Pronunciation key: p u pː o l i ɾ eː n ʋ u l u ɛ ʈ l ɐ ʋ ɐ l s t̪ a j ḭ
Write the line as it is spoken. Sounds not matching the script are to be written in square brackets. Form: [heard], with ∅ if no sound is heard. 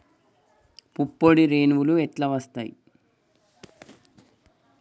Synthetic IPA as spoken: p u pː o [ɽ] i ɾ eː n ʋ u l u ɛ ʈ l ɐ ʋ ɐ [∅] s t̪ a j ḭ